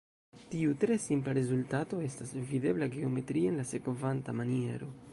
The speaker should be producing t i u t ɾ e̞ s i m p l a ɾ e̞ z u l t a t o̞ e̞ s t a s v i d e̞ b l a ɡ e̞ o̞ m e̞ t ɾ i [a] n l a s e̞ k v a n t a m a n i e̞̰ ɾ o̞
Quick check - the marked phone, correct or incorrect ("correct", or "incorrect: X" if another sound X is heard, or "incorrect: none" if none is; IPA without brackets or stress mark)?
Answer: incorrect: e